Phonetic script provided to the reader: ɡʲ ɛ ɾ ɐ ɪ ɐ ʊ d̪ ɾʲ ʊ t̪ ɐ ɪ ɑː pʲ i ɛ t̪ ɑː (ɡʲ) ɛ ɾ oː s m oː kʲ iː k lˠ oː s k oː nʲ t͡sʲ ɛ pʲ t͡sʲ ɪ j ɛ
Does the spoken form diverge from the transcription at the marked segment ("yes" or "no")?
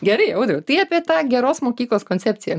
no